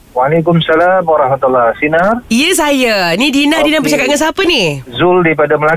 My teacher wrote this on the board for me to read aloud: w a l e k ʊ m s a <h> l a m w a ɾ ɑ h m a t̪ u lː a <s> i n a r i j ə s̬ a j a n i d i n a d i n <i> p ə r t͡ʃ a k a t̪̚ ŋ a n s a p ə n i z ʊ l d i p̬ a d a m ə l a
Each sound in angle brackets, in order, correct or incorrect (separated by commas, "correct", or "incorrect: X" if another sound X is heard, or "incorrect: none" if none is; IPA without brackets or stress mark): incorrect: none, correct, incorrect: a